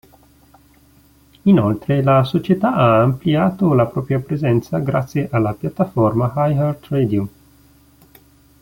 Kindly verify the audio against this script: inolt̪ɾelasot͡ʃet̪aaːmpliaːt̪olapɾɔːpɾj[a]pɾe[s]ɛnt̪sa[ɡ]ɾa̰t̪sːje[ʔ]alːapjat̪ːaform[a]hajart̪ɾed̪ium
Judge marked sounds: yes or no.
yes, no, yes, yes, yes

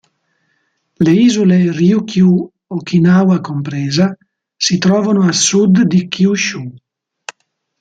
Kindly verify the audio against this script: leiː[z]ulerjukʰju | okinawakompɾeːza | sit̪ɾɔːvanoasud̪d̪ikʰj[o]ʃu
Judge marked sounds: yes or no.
yes, no

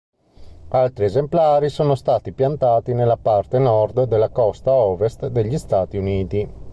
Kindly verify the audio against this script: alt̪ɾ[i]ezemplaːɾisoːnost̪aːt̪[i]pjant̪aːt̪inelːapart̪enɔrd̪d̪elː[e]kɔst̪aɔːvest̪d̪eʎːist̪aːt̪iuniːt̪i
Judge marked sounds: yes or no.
yes, yes, no

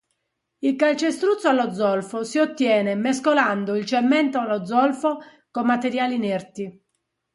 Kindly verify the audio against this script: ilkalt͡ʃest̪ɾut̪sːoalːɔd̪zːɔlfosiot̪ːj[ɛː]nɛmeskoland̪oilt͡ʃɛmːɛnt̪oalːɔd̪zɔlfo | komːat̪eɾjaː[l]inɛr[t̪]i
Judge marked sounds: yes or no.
yes, yes, yes

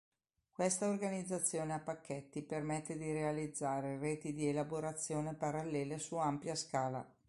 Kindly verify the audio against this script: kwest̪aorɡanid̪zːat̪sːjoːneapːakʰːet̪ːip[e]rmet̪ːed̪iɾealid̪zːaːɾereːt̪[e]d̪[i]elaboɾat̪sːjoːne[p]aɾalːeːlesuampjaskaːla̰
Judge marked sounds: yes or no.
yes, no, yes, yes

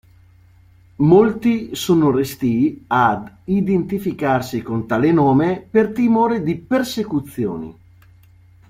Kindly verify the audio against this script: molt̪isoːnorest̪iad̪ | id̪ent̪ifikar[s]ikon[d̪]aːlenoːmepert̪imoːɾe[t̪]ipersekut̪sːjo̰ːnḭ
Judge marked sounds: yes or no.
yes, no, no

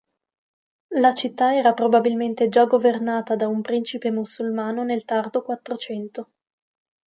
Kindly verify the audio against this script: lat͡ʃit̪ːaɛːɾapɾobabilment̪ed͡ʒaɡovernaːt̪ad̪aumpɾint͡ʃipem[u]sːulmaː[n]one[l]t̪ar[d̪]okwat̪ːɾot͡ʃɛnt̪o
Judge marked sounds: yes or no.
yes, yes, yes, yes

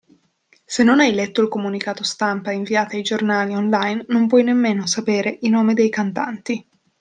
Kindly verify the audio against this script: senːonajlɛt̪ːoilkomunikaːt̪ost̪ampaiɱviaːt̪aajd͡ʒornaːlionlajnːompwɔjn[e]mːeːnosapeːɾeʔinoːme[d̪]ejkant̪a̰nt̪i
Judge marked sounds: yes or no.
yes, yes

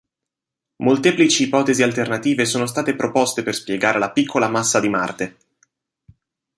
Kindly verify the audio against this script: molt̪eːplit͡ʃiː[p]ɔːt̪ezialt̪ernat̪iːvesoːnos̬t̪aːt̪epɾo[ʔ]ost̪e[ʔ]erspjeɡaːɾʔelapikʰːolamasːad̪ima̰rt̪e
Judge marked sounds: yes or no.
yes, no, no

